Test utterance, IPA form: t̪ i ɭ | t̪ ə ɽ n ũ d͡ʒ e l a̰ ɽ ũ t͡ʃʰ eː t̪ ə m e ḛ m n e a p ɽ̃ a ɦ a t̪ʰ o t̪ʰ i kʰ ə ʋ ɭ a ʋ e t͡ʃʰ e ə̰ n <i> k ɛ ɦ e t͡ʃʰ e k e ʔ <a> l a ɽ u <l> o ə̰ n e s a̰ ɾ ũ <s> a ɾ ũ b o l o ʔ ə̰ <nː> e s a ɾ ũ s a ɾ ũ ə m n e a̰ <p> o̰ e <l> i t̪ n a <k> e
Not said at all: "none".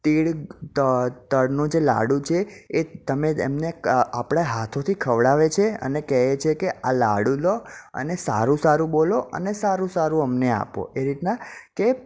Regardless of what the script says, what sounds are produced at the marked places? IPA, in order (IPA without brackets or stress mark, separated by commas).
e, a, l, s, n, p, ɾ, k